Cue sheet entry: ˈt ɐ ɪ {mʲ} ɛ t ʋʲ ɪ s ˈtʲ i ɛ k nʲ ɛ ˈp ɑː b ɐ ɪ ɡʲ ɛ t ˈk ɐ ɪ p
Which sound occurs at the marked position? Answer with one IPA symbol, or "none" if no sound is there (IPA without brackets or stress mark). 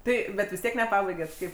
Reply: bʲ